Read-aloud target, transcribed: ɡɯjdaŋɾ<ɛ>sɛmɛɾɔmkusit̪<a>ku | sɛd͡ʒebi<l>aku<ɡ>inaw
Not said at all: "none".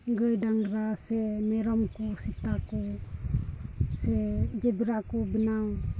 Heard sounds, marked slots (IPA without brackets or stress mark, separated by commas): a, a, ɾ, b